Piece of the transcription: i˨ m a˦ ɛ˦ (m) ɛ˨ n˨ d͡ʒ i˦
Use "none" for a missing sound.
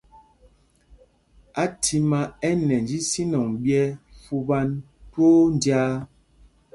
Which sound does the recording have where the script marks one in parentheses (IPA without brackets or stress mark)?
n